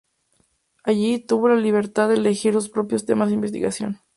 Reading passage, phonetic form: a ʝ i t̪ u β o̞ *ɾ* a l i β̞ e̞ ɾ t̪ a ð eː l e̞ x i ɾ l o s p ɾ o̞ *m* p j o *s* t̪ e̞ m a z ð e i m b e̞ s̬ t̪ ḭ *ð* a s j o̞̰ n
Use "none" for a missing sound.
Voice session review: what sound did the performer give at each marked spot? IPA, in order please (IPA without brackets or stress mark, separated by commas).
l, none, s, ɣ